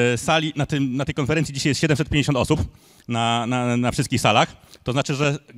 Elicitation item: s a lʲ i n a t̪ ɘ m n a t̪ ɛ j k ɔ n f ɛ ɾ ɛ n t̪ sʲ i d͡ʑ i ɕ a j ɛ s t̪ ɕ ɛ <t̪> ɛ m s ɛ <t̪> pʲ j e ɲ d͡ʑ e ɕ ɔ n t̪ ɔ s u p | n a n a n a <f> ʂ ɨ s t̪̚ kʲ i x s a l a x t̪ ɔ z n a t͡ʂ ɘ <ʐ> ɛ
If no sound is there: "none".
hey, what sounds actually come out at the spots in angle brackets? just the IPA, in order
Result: d̪, t̪, f, ʐ

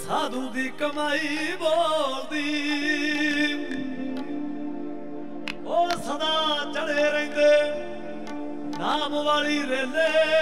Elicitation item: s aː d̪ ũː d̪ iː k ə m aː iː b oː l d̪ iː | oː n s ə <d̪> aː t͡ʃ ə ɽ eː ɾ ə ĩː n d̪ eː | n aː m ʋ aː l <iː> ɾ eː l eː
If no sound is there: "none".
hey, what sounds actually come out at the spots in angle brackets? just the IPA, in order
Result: d̪, iː

